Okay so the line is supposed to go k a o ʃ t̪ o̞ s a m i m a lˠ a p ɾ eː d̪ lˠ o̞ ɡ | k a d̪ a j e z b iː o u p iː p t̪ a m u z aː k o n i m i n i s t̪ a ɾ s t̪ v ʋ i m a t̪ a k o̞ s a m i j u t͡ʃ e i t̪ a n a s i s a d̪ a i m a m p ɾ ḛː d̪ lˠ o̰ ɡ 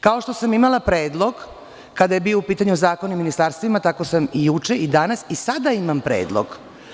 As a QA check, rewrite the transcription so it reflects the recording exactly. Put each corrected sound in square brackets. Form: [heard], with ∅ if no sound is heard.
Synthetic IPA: k a o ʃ t̪ o̞ s a m i m a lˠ a p ɾ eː d̪ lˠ o̞ ɡ | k a d̪ a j e [∅] b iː o u p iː [∅] t̪ a [ɲ] u z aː k o n i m i n i s t̪ a ɾ s t̪ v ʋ i m a t̪ a k o̞ s a m i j u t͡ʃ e i [d̪] a n a s i s a d̪ a i m a m p ɾ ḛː d̪ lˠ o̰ ɡ

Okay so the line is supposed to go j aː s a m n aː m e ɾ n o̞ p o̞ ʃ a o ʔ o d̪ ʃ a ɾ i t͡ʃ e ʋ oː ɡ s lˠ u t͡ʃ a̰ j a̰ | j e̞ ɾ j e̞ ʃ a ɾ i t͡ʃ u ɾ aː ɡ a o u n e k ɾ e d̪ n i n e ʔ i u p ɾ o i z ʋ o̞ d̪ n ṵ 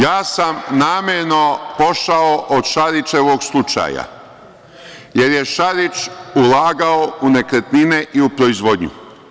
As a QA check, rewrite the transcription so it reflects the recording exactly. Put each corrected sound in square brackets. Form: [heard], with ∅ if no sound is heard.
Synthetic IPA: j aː s a m n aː m e ɾ n o̞ p o̞ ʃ a o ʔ o d̪ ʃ a ɾ i t͡ʃ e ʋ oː ɡ s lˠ u t͡ʃ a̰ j a̰ | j e̞ ɾ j e̞ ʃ a ɾ i t͡ʃ u [l] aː ɡ a o u n e k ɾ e [t̪] n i n e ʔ i u p ɾ o i z ʋ o̞ d̪ [ɲ] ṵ

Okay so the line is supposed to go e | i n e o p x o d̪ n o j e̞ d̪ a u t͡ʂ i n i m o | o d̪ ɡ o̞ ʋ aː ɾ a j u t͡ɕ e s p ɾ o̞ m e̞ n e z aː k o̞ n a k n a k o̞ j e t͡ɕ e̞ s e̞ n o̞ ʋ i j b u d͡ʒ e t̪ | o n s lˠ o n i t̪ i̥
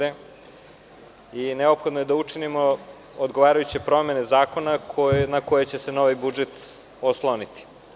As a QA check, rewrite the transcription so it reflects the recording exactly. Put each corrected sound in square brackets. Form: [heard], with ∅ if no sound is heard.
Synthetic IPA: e | i n e o p x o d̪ n o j e̞ d̪ a u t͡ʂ i n i m o | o d̪ ɡ o̞ ʋ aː ɾ a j u t͡ɕ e [∅] p ɾ o̞ m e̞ n e z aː k o̞ n a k n a k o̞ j e t͡ɕ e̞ s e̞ n o̞ ʋ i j b u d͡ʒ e t̪ | o [∅] s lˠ o n i t̪ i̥

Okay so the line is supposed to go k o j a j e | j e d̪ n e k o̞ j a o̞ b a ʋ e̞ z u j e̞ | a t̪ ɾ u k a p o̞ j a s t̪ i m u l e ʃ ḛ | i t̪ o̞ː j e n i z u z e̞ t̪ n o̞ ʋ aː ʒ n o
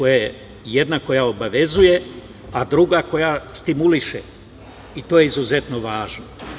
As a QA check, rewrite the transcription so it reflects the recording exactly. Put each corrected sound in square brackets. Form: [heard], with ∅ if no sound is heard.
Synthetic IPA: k o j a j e | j e d̪ n [a] k o̞ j a o̞ b a ʋ e̞ z u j e̞ | a [d̪] ɾ u [ɡ] a [k] o̞ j a s t̪ i m u l [i] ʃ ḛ | i t̪ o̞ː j e [∅] i z u z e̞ t̪ n o̞ ʋ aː ʒ n o

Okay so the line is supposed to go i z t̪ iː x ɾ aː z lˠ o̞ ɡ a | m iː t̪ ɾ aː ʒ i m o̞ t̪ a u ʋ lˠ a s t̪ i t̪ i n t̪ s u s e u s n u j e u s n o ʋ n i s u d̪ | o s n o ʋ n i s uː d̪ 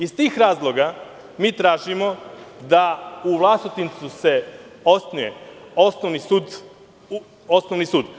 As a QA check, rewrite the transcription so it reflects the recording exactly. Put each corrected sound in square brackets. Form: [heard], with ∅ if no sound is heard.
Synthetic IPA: i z t̪ iː x ɾ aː z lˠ o̞ ɡ a | m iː t̪ ɾ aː ʒ i m o̞ [d̪] a u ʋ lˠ a s t̪ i t̪ i n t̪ s u s e [o] s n u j e [o] s n o ʋ n i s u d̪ | o s n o ʋ n i s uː d̪

